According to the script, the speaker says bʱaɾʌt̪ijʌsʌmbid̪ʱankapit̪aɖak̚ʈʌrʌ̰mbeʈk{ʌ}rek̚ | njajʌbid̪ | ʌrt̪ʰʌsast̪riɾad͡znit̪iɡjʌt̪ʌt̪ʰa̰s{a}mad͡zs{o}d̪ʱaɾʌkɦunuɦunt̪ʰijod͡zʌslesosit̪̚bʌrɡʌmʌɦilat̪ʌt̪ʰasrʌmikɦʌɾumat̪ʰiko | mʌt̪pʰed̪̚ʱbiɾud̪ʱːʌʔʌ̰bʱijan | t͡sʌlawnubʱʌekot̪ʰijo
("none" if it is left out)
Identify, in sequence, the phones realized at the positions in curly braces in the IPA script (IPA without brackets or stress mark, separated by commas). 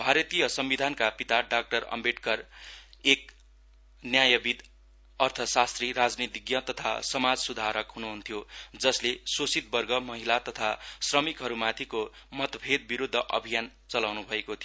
ʌ, ʌ, u